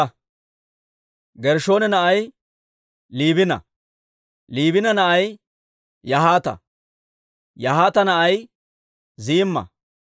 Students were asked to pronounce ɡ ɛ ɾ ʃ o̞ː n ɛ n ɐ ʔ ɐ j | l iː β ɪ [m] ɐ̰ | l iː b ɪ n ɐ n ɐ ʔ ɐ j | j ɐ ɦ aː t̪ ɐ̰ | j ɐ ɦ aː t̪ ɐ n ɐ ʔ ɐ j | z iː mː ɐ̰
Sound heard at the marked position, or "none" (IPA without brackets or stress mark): n